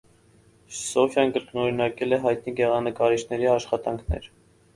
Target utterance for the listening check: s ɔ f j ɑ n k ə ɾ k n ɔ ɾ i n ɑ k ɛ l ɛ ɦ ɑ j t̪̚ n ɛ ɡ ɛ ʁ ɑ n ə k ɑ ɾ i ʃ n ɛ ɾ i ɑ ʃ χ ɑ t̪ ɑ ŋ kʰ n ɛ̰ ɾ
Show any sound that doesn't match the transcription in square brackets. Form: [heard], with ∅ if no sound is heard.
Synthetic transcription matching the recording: s ɔ f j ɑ n k ə ɾ k n ɔ ɾ i n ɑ k ɛ l ɛ ɦ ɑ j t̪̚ n [i] ɡ ɛ ʁ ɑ n ə k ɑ ɾ i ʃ n ɛ ɾ i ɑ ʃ χ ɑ t̪ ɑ ŋ kʰ n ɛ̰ ɾ